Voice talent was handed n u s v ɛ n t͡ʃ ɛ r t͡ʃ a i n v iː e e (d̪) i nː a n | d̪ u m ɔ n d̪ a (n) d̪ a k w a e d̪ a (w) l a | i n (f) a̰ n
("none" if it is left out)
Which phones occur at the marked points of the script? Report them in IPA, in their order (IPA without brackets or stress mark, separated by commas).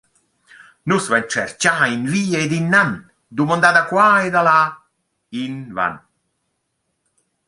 d̪, none, none, v